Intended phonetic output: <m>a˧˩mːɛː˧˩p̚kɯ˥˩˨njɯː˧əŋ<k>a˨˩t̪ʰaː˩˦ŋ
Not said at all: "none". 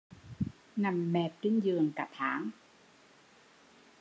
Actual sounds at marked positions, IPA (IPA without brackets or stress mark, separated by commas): n, k